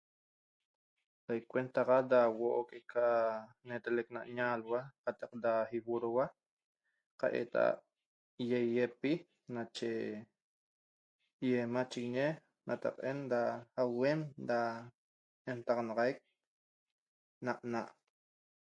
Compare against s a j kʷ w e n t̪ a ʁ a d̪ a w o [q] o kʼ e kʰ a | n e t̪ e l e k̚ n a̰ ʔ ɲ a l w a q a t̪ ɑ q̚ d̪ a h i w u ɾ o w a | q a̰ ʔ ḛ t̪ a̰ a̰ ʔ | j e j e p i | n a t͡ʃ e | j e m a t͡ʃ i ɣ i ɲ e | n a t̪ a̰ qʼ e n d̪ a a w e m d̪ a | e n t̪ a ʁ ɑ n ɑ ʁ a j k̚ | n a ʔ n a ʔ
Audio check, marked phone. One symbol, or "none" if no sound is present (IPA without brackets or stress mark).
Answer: ʔ